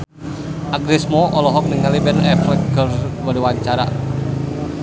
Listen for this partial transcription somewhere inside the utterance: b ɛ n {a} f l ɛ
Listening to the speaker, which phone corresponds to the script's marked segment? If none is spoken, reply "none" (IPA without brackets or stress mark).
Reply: ɛ